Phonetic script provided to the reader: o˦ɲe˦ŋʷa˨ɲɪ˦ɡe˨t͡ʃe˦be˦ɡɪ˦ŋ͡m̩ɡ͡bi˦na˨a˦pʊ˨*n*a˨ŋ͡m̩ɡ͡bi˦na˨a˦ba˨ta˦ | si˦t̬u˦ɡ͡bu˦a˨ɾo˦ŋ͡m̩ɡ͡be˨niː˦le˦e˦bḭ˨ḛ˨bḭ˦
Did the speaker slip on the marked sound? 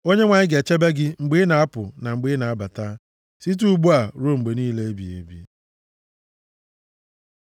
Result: no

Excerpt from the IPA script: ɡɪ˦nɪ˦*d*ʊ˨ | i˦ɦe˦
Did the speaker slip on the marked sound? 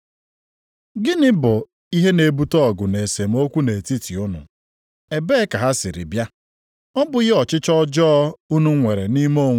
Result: yes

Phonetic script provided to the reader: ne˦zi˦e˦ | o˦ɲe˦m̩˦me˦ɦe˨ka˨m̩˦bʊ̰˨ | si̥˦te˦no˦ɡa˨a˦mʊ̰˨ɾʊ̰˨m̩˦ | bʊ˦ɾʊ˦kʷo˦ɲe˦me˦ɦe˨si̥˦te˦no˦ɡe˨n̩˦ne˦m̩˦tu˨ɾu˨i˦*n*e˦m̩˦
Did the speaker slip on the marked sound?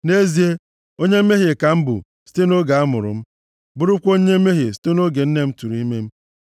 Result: yes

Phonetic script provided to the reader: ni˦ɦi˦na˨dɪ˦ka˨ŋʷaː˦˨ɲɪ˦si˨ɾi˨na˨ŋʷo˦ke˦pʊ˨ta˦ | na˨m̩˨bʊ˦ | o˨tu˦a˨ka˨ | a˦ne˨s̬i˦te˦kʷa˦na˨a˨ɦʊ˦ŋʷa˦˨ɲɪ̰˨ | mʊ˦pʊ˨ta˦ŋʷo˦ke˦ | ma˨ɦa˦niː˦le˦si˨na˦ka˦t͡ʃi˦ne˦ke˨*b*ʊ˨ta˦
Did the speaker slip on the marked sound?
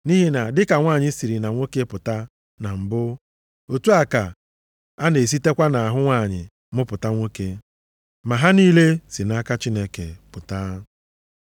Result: yes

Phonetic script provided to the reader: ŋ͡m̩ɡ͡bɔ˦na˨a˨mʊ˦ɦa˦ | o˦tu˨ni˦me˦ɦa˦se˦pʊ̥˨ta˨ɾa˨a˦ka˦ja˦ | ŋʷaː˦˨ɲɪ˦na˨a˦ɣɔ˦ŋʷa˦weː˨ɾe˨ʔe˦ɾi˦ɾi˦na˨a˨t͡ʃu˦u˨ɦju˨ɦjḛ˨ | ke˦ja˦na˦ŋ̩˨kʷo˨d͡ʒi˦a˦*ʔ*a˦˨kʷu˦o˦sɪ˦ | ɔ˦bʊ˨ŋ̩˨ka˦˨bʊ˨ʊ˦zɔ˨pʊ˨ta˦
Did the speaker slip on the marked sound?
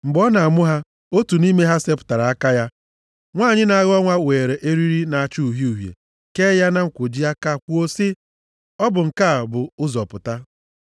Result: yes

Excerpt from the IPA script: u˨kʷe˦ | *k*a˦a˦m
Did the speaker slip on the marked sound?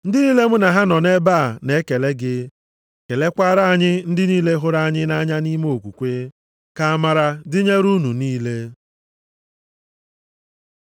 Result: no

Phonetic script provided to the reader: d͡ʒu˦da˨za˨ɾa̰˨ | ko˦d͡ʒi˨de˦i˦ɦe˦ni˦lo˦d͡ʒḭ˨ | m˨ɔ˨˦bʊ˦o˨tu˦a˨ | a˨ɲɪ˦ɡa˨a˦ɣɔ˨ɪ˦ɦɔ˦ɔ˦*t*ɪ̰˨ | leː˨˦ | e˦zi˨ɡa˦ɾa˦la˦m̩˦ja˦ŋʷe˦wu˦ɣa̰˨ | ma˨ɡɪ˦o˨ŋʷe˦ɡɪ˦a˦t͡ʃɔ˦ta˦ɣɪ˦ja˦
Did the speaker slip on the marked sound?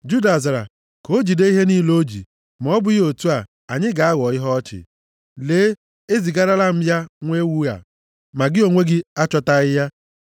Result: yes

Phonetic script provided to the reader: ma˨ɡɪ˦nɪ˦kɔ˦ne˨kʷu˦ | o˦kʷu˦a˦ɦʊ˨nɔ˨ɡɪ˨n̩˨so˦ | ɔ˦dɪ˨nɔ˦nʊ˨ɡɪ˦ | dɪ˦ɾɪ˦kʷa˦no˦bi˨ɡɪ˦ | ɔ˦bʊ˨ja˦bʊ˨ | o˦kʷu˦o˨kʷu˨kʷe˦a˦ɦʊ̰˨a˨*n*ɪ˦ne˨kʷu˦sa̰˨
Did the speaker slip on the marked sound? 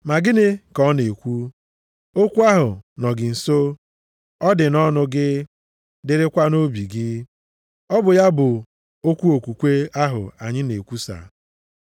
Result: yes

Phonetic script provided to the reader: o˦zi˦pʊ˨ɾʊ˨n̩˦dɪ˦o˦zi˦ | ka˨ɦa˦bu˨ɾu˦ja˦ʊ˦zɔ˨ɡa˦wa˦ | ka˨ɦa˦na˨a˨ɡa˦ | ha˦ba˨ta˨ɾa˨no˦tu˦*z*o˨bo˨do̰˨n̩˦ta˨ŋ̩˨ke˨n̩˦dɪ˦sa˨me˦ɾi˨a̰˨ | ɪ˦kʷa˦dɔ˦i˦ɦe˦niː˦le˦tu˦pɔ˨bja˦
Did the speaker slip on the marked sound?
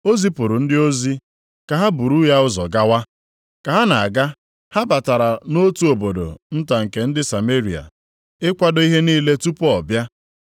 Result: yes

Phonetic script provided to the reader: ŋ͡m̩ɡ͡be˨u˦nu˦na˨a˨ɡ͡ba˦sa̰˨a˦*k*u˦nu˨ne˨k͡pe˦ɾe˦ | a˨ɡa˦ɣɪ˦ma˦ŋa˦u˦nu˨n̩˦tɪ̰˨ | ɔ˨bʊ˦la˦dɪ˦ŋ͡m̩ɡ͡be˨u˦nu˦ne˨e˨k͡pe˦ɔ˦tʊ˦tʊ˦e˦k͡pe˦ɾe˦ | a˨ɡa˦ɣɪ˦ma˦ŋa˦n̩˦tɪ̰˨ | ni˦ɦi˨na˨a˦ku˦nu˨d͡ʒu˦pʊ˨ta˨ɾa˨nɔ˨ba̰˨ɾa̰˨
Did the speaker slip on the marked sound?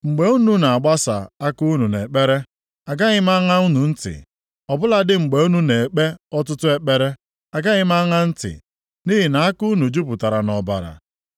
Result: no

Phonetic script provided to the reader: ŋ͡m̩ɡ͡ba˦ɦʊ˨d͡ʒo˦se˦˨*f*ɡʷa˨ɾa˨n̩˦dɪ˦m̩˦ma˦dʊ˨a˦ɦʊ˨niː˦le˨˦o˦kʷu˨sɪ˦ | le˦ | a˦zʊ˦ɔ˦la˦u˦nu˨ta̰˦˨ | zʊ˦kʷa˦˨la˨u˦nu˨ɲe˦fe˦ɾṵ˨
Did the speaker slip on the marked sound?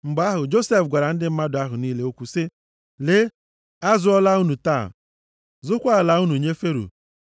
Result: no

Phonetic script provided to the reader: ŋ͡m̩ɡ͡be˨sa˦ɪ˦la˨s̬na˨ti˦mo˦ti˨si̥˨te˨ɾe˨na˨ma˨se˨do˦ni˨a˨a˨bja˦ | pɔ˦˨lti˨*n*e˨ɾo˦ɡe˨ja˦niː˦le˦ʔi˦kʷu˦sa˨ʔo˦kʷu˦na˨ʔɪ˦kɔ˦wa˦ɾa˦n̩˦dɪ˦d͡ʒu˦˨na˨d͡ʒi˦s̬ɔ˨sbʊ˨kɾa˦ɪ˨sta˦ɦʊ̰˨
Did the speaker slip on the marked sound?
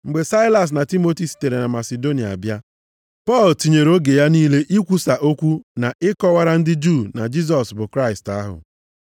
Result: yes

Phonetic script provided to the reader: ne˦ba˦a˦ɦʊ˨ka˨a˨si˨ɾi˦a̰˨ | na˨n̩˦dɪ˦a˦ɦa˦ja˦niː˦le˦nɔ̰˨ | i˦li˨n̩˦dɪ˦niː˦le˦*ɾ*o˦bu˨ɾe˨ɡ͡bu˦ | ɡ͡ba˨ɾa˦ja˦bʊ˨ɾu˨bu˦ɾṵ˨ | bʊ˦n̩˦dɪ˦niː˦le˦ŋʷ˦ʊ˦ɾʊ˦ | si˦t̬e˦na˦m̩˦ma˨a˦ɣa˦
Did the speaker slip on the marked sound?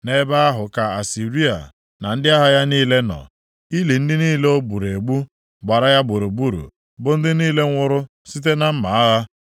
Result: yes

